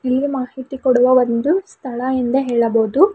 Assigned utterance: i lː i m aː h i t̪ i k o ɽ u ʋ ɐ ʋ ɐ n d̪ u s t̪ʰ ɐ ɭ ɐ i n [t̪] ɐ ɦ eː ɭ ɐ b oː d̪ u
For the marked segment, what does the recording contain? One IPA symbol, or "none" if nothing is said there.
d̪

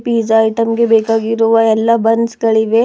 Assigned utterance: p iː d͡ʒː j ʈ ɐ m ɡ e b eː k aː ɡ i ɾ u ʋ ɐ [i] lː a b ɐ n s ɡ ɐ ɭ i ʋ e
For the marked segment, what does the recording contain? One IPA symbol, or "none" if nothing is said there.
ɛ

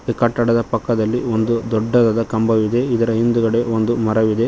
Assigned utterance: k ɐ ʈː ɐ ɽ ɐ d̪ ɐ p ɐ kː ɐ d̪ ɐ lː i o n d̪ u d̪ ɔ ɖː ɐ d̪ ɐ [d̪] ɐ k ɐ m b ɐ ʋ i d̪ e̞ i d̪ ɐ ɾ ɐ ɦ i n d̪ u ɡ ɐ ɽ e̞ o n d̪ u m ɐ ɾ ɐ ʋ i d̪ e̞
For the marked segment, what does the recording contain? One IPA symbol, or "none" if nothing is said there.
d̪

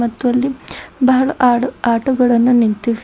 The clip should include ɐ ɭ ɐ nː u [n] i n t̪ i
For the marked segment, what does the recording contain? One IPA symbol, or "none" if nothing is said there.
n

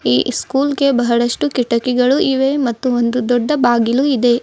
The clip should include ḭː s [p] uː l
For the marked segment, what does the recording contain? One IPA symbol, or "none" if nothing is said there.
k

